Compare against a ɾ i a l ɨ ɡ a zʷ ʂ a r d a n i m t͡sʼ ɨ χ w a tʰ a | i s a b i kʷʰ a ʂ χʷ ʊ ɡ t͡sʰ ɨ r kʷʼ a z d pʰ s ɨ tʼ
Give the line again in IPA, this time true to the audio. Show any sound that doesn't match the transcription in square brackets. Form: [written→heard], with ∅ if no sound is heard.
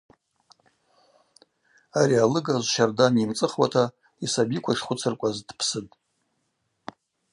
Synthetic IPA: a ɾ i a l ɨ ɡ a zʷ [ʂ→ʃ] a r d a n i m t͡sʼ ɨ χ w a tʰ a | i s a b i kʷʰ a ʂ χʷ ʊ [ɡ→∅] t͡sʰ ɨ r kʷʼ a z d pʰ s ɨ tʼ